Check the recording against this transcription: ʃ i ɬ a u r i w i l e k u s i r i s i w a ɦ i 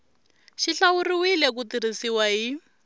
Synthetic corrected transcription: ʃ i ɬ a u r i w i l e k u t i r i s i w a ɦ i